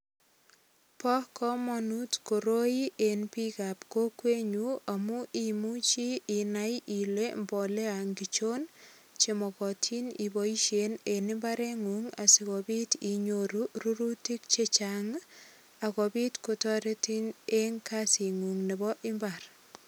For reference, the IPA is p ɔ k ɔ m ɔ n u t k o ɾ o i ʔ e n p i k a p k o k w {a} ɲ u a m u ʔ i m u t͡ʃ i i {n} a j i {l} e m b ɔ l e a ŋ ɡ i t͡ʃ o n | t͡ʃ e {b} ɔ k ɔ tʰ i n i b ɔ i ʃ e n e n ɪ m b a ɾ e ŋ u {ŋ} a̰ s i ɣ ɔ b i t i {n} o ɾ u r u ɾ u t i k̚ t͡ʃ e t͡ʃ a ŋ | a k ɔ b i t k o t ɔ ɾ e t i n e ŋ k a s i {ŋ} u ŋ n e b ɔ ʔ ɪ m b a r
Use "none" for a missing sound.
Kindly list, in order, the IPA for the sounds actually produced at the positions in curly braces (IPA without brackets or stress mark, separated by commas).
e, n, l, m, ŋ, ɲ, ŋ